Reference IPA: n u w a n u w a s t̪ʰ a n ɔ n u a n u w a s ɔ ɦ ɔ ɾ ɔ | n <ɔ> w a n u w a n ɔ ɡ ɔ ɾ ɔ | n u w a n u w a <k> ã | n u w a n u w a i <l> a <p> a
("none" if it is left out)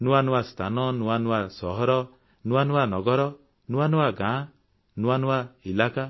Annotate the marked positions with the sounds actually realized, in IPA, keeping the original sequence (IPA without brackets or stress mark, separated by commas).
u, ɡ, l, k